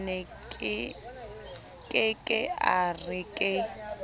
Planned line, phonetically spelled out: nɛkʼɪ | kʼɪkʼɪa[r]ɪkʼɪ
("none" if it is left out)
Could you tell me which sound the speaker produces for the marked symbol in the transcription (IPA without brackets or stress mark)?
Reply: r